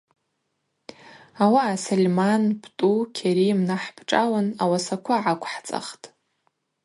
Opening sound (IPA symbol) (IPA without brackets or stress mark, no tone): a